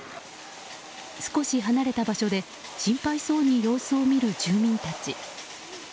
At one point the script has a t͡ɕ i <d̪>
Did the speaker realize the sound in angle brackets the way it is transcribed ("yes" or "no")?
no